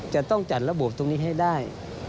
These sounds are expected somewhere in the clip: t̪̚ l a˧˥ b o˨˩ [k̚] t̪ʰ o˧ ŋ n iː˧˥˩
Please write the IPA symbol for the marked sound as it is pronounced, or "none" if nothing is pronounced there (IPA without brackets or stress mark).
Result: p̚